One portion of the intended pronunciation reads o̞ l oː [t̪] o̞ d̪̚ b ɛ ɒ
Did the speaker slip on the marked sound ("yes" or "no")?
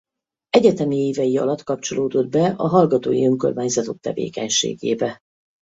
yes